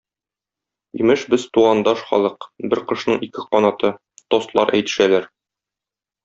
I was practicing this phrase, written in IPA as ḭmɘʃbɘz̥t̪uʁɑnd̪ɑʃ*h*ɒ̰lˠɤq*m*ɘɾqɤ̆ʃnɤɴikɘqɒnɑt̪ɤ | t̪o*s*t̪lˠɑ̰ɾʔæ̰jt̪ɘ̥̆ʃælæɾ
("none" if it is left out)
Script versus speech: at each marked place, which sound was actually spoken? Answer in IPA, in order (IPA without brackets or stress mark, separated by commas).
χ, b, s